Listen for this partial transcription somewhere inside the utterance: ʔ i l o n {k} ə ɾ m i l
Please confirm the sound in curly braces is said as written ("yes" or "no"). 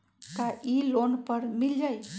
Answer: no